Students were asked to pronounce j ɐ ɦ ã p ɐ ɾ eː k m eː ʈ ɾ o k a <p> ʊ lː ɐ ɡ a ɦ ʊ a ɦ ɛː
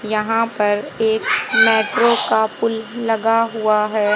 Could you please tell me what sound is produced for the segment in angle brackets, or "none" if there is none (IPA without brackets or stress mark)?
p